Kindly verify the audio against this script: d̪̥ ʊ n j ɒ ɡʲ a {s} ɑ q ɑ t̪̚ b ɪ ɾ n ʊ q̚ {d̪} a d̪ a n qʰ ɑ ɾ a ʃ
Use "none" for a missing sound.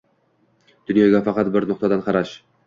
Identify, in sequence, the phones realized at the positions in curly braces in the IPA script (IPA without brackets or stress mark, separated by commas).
f, t̪